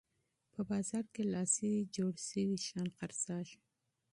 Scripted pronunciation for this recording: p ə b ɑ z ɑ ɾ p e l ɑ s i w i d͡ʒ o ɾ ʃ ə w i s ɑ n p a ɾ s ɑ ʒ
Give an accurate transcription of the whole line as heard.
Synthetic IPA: p ə b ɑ z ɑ ɾ k e l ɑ s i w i d͡ʒ o ɽ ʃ ə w i ʃ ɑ n q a ɾ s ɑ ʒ